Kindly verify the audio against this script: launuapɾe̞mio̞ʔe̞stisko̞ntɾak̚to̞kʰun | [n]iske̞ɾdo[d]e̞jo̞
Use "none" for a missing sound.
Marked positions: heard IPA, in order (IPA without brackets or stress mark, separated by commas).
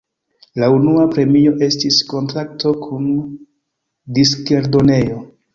d, n